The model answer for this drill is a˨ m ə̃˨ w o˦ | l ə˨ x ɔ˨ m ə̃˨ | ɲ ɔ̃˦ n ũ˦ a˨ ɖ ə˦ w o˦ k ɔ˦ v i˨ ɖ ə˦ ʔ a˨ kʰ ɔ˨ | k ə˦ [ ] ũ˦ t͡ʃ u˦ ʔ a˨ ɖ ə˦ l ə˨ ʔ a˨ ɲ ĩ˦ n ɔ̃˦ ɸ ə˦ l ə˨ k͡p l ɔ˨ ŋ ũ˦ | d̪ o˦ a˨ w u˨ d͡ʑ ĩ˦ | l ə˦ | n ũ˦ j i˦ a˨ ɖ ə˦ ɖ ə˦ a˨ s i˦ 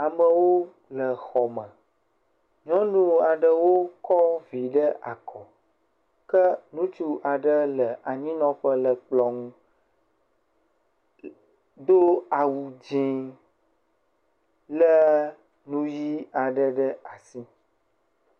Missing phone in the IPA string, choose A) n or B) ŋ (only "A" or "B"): A